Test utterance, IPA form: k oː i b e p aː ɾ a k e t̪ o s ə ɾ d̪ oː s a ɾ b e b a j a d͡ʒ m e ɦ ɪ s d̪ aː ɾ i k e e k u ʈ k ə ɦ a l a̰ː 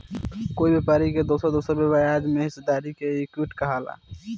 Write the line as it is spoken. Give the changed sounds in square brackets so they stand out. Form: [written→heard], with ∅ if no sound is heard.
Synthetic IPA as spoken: k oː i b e p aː ɾ [a→i] k e [t̪→d̪] o s ə ɾ d̪ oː s [a→ə] ɾ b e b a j a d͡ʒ m e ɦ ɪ s d̪ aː ɾ i k e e k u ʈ k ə ɦ a l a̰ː